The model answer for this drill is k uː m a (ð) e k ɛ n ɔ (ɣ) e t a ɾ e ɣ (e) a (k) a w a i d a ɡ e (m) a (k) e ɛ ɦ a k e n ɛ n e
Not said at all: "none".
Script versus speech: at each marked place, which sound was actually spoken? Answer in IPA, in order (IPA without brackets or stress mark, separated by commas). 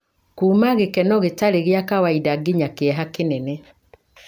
ɣ, ɣ, e, k, ɲ, k